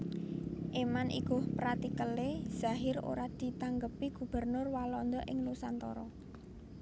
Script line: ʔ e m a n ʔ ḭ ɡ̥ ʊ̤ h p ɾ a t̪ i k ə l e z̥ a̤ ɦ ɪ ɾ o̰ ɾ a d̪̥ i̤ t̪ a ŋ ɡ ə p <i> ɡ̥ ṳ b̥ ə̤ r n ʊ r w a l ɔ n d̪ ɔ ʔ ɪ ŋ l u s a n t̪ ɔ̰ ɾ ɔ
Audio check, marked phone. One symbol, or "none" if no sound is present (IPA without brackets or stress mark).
i